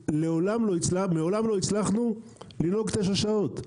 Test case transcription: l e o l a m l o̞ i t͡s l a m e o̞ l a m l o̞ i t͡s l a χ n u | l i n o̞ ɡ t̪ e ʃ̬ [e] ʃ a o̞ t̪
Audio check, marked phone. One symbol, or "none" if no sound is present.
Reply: a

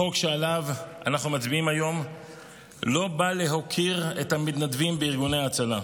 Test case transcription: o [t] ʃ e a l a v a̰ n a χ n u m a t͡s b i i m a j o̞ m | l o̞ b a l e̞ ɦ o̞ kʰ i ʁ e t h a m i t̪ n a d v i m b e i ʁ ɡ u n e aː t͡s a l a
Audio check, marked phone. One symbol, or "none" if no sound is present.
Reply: k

